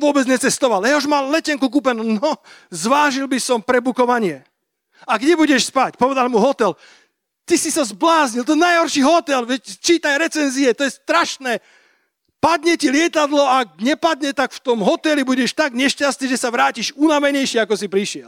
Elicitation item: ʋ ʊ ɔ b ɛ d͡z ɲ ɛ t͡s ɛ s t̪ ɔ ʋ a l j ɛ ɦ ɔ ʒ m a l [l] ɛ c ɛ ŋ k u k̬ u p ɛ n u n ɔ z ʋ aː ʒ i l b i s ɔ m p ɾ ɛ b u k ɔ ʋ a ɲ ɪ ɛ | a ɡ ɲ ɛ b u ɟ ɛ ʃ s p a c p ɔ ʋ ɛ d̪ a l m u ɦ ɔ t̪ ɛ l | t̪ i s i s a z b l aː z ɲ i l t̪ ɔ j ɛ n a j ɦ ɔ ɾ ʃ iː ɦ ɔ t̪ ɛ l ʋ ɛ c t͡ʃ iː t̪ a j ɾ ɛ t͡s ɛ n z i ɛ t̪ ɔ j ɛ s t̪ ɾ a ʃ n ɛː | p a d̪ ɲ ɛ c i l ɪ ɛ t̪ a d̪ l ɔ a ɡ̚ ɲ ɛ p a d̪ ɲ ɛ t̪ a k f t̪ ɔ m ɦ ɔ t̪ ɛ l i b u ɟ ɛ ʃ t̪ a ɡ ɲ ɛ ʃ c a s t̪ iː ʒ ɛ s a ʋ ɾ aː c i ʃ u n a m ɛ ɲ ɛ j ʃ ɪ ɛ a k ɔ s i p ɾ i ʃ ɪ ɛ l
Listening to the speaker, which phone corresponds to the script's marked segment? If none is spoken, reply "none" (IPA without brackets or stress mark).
l